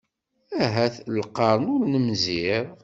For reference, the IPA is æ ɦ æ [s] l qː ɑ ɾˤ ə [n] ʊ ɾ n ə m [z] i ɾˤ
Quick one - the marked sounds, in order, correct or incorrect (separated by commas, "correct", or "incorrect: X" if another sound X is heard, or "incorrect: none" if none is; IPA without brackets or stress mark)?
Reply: incorrect: θ, correct, correct